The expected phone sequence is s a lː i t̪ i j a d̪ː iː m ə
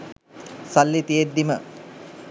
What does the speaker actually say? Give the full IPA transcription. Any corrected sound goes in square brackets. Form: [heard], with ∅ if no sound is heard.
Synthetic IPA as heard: s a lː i t̪ i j [e] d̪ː [i] m ə

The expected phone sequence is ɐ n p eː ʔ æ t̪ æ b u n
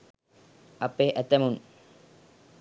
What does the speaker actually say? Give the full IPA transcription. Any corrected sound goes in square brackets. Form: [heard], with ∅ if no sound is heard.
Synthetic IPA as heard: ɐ [∅] p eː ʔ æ t̪ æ [m] u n

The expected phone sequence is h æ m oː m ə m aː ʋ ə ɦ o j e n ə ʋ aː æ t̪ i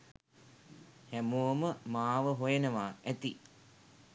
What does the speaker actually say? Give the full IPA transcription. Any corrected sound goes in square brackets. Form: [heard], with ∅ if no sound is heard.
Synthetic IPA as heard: h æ m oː m ə m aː ʋ ə ɦ o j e n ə ʋ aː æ t̪ i

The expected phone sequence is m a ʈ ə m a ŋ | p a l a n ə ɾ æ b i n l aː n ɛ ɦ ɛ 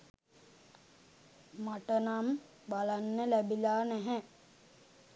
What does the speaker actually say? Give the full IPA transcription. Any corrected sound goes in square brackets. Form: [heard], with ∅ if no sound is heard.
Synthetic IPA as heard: m a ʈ ə [n] a [m] | [b] a l a [nː] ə [l] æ b i [∅] l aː n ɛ ɦ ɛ

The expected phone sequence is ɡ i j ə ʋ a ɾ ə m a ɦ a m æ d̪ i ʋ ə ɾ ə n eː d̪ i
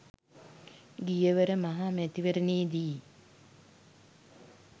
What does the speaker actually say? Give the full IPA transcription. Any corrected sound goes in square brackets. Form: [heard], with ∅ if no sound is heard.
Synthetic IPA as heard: ɡ i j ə ʋ [ə] ɾ ə m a ɦ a m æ [t̪] i ʋ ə ɾ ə n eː d̪ i

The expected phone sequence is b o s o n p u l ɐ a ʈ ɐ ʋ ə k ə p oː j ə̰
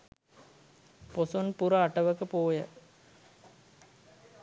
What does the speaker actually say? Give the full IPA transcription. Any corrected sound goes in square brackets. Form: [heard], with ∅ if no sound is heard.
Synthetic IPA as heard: [p] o s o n p u [ɾ] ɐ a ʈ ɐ ʋ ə k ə p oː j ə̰

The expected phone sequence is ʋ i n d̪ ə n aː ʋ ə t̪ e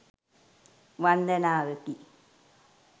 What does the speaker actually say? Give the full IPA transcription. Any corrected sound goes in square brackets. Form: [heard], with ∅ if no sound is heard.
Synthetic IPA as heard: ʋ [a] n d̪ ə n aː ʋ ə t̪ [i]

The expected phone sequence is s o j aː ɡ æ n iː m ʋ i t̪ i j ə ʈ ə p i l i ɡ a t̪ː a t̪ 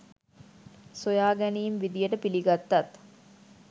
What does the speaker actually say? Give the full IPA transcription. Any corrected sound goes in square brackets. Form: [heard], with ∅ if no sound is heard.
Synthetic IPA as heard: s o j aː ɡ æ n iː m ʋ i [d̪] i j ə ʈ ə p i l i ɡ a t̪ː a t̪

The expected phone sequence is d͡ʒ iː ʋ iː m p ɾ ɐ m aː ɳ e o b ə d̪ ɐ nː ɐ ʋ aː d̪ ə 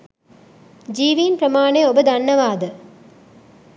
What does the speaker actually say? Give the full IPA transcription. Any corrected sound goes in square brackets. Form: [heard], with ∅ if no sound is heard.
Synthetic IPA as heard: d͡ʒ iː ʋ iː [n] p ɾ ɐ m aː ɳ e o b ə d̪ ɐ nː ɐ ʋ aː d̪ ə

